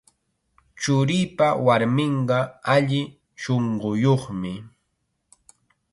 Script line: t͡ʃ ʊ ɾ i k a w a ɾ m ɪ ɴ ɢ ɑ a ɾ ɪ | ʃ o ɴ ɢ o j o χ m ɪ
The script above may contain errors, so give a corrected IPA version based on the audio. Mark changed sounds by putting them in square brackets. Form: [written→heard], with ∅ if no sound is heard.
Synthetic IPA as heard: t͡ʃ ʊ ɾ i [k→p] a w a ɾ m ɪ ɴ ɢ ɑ a [ɾ→ʎ] ɪ | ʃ o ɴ ɢ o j o χ m ɪ